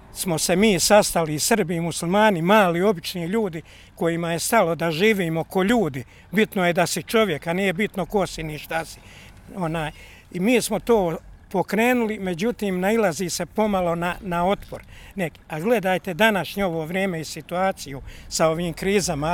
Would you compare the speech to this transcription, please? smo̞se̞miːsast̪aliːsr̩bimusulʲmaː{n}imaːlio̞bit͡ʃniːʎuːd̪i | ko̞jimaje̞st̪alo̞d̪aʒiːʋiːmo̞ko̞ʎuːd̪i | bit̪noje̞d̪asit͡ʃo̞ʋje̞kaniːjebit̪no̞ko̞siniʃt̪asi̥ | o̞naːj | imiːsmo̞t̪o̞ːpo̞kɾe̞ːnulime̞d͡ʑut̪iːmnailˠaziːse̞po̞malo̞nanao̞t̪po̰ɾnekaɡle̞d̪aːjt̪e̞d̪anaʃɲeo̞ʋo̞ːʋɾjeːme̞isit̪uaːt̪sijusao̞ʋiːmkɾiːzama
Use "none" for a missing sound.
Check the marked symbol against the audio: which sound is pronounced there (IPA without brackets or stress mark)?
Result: n